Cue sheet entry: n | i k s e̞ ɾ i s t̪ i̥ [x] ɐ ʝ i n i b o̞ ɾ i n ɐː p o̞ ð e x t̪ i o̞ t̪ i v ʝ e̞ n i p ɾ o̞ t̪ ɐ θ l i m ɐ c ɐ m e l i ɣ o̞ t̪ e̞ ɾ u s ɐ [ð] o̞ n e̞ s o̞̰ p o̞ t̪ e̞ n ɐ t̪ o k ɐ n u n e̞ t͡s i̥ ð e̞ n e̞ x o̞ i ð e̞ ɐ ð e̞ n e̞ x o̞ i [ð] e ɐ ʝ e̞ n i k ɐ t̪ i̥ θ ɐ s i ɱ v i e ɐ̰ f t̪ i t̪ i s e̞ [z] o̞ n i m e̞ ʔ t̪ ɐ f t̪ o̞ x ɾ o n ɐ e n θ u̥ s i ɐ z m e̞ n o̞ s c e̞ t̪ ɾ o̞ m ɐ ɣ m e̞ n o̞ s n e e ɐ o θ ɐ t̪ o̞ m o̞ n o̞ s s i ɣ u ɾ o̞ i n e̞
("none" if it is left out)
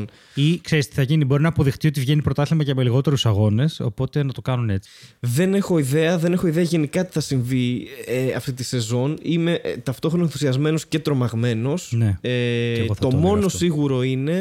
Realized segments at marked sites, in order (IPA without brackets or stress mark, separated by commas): θ, ɣ, ð, z